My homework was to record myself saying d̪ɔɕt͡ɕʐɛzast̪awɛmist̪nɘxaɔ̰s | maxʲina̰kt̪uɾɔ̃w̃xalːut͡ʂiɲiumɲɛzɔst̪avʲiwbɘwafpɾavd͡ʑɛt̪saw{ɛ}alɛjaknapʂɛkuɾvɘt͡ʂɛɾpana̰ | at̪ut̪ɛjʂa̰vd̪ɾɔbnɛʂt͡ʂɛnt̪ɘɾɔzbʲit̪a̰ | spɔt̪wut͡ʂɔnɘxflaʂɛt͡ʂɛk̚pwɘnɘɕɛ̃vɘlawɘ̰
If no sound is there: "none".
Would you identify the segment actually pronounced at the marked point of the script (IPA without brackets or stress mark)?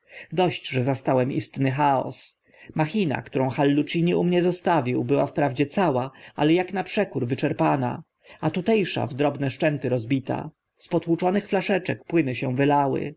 a